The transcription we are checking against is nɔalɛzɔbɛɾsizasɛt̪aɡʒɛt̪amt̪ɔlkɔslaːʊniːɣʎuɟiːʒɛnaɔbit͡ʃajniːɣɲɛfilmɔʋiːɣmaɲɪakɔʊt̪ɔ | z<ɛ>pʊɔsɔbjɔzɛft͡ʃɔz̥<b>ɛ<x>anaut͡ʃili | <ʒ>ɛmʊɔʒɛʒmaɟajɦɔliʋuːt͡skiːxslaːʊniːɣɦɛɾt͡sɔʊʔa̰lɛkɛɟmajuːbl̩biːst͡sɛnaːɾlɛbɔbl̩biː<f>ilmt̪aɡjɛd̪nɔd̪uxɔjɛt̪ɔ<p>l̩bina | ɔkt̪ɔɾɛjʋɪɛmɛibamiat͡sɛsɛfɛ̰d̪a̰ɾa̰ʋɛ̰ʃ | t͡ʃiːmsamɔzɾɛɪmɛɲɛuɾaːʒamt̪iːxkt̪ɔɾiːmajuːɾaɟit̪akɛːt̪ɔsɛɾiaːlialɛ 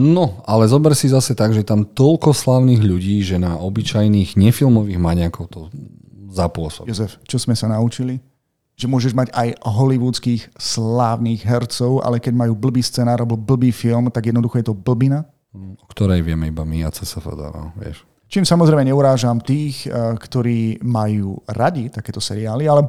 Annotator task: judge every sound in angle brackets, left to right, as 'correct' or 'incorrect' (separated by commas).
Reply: incorrect, incorrect, incorrect, correct, correct, incorrect